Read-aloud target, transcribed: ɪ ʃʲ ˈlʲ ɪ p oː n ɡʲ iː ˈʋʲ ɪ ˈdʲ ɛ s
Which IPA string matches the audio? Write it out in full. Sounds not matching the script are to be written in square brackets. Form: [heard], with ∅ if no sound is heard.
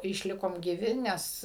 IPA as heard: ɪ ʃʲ ˈlʲ ɪ [k] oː [m] ɡʲ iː ˈʋʲ ɪ [ˈnʲ] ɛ s